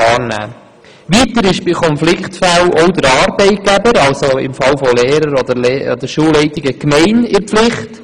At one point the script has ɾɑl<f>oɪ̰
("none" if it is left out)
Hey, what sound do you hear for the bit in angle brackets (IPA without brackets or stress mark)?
s